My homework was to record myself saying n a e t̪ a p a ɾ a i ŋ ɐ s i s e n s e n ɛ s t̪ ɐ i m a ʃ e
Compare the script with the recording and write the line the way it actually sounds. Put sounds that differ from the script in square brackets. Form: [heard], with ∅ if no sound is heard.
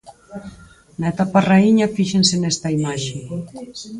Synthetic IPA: n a e t̪ a p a [r] a i [ɲ] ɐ [f] i [ʃ] e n s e n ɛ s t̪ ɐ i m a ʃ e